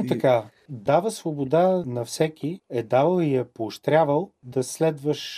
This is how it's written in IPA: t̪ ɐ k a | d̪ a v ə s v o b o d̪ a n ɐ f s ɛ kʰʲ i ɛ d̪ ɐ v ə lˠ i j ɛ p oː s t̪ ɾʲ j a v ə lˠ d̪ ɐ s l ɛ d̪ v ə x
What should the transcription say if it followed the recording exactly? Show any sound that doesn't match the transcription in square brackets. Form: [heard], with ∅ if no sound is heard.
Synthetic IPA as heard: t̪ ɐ k a | d̪ a v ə s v o b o d̪ a n ɐ f s ɛ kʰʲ i ɛ d̪ [a] v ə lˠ i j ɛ p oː [ʃ] t̪ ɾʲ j a v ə lˠ d̪ ɐ s l ɛ d̪ v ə [ʃ]